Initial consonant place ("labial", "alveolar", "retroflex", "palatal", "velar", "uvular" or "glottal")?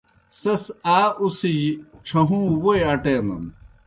alveolar